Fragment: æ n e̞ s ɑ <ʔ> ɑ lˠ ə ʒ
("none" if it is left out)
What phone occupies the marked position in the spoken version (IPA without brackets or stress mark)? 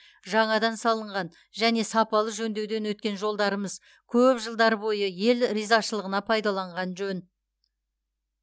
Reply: p